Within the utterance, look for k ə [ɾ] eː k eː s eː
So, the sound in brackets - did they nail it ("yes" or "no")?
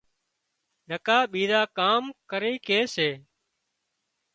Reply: yes